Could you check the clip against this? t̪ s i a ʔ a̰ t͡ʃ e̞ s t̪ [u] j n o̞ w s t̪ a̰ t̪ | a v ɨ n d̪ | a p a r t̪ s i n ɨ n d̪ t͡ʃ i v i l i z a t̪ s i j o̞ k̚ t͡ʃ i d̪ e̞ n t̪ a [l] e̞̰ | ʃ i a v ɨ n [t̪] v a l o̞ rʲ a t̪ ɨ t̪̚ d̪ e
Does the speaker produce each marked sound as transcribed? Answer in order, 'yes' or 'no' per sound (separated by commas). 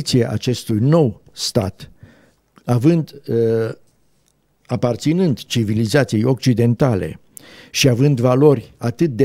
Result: yes, yes, no